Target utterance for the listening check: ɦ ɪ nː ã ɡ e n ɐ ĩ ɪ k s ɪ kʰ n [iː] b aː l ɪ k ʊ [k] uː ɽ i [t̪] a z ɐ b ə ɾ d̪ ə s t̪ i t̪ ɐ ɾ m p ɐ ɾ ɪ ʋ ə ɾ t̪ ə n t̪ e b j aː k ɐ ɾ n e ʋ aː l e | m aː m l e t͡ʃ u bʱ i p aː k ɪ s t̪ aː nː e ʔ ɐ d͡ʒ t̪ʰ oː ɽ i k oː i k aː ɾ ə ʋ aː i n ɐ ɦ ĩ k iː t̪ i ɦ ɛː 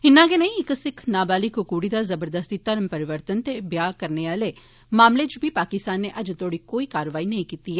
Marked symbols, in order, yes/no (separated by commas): no, yes, no